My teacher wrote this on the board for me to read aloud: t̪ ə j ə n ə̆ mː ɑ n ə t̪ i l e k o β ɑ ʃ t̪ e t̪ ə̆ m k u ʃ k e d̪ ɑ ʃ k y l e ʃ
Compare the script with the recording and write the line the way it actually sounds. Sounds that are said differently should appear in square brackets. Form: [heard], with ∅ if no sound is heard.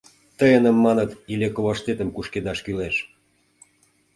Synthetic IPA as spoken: t̪ ə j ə n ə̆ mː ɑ n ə t̪ i l e k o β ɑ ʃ t̪ e t̪ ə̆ m k u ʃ k e d̪ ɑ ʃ k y l e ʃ